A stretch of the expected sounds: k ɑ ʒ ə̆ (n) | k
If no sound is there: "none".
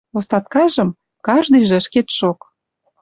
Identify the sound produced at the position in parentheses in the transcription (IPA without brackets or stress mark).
m